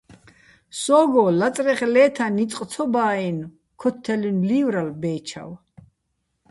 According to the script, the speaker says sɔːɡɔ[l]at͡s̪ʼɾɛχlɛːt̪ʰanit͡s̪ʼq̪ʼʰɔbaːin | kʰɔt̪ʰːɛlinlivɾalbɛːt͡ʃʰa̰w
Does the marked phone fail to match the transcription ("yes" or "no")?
no